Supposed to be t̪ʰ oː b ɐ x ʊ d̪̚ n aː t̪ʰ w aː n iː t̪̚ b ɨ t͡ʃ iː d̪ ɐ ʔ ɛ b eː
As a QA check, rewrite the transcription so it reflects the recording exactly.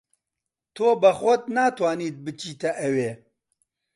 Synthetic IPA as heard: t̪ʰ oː b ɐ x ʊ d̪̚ n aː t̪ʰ w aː n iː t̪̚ b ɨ t͡ʃ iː t̪ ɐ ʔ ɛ w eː